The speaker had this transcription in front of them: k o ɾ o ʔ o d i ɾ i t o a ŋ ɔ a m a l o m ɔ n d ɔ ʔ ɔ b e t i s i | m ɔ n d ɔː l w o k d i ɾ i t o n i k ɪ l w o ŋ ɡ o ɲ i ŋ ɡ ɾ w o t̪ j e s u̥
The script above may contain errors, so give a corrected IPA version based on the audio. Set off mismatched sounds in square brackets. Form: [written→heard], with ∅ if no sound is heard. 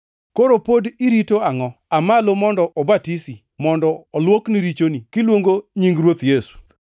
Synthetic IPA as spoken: k o ɾ o [ʔ→p] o d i ɾ i t o a ŋ ɔ a m a l o m ɔ n d ɔ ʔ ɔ b [e→a] t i s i | m ɔ n d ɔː l w o k [d→n] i ɾ i [t→t͡ʃ] o n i k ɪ l w o ŋ ɡ o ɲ i ŋ ɡ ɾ w o t̪ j e s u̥